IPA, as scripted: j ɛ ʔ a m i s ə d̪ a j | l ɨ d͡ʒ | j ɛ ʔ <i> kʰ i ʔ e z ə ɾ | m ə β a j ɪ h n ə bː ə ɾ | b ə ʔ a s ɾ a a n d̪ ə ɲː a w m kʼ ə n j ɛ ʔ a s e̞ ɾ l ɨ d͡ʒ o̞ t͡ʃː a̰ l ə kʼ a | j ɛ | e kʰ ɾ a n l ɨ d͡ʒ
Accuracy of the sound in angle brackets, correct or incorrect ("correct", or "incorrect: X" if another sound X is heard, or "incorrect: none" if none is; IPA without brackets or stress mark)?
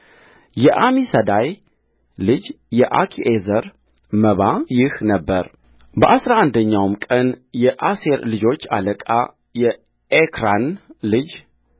incorrect: a